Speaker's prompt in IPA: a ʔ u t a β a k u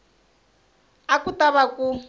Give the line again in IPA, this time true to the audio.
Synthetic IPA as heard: a k u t a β a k u